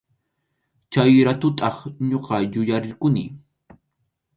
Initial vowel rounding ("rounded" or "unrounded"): unrounded